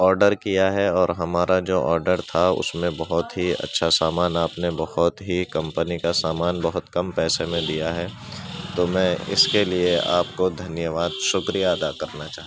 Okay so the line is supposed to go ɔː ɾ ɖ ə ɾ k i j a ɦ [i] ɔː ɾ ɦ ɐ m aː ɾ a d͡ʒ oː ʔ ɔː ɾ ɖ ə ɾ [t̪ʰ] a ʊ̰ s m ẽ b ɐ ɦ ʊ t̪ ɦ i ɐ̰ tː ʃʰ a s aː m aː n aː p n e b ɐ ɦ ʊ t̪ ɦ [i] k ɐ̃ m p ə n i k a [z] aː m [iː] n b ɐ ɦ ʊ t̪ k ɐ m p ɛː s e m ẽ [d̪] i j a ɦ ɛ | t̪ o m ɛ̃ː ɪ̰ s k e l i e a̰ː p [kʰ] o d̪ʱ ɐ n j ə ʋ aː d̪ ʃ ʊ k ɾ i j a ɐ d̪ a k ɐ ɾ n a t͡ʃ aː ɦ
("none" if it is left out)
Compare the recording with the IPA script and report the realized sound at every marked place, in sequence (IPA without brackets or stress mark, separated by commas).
ɛ, t̪ʰ, i, s, aː, d̪, k